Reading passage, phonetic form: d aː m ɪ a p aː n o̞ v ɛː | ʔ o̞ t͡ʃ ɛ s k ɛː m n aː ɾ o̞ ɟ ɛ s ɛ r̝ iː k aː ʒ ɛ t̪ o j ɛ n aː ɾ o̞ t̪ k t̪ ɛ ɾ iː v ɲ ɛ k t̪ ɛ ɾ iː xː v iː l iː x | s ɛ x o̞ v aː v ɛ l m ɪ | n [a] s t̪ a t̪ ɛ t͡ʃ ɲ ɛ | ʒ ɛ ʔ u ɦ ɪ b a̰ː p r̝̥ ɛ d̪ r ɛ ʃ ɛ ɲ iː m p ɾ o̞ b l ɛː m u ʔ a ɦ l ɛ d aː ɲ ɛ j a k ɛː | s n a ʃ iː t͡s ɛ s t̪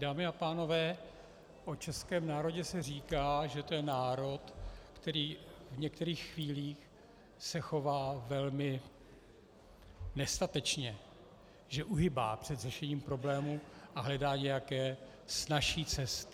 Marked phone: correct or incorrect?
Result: incorrect